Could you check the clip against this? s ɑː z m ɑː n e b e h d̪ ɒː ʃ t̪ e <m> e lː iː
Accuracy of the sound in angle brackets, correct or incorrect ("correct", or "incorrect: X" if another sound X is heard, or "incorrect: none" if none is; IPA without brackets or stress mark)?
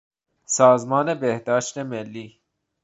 correct